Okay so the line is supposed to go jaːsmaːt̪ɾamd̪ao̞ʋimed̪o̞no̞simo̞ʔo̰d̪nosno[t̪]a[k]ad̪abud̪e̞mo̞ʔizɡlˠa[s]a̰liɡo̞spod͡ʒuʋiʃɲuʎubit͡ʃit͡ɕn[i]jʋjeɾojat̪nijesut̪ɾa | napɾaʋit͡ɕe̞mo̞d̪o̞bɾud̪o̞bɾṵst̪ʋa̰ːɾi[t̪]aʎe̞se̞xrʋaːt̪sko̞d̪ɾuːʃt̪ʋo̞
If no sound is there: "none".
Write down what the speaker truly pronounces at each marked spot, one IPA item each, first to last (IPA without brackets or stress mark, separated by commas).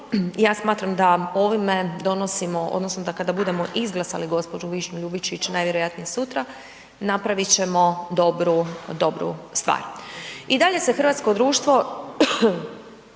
d̪, k, s, a, d̪